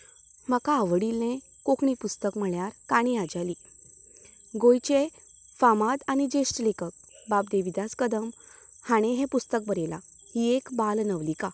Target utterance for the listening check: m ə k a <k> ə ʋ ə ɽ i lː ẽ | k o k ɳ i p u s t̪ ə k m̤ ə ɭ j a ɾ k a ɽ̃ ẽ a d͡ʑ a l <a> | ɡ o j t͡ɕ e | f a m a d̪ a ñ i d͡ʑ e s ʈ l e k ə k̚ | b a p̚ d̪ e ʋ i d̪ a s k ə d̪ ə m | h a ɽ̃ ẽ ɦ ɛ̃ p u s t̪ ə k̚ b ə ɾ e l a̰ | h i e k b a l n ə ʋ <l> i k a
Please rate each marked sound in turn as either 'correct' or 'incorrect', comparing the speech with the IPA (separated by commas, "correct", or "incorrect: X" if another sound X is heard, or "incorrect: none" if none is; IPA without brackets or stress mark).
incorrect: none, incorrect: i, correct